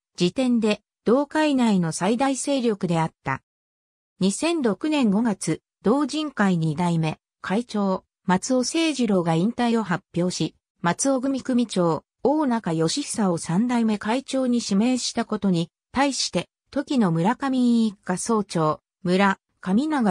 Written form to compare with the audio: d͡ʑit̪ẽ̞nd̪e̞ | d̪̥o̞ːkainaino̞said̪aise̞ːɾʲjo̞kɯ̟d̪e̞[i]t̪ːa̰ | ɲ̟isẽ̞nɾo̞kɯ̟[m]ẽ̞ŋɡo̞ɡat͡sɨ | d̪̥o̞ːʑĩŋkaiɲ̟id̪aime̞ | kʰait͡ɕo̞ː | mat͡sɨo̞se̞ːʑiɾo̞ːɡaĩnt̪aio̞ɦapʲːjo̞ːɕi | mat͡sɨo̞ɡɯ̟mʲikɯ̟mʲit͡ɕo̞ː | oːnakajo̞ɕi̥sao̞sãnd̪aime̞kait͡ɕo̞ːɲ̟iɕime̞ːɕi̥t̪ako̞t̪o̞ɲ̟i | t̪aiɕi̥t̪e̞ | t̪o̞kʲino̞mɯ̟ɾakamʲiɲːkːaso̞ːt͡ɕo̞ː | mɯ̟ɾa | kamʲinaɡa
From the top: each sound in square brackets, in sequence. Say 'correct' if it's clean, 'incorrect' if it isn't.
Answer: incorrect, incorrect

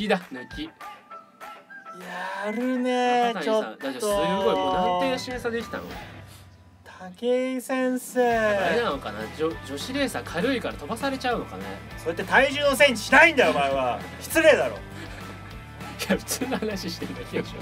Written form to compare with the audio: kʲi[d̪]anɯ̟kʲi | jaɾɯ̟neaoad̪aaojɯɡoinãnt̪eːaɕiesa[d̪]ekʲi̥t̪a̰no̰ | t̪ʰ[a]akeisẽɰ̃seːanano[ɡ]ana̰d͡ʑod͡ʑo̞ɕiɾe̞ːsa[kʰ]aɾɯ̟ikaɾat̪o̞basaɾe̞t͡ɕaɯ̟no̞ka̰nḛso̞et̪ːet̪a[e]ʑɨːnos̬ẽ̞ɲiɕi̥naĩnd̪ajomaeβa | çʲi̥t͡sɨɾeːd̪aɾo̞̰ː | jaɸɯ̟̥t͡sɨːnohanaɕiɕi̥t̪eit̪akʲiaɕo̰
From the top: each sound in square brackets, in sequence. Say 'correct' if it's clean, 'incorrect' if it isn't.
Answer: correct, correct, correct, incorrect, correct, incorrect

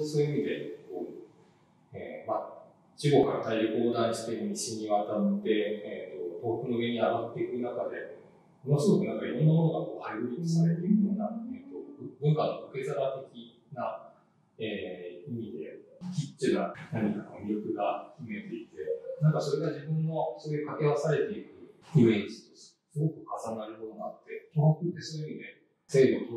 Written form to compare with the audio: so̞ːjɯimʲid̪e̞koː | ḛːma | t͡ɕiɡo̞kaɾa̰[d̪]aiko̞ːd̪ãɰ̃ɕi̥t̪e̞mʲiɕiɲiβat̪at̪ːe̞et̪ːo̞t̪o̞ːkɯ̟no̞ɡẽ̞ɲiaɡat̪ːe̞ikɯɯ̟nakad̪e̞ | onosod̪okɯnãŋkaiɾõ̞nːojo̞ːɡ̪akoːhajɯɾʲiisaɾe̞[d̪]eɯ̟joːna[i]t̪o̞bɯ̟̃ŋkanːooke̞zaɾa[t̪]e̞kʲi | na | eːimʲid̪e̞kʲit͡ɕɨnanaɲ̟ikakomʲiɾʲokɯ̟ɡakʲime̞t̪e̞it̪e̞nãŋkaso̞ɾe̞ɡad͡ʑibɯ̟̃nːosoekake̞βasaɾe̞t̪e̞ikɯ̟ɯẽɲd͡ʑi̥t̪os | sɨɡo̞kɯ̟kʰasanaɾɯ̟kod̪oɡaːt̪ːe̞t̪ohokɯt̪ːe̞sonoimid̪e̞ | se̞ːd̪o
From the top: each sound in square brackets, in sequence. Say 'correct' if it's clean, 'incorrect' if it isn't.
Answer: incorrect, incorrect, incorrect, correct

